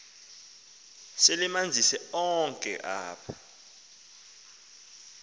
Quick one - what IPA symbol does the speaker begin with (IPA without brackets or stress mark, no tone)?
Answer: s